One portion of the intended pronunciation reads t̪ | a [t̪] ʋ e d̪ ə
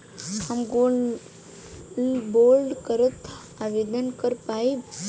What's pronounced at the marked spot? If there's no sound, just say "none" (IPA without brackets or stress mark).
none